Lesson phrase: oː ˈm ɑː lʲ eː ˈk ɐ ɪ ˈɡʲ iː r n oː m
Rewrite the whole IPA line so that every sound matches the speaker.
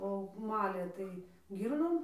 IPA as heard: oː ˈm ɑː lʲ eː ˈt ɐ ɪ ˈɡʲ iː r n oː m